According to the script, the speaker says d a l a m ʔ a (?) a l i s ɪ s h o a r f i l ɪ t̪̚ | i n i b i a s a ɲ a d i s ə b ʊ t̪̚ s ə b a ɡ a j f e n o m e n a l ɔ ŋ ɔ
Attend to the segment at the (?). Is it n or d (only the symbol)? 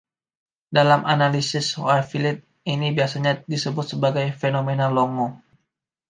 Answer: n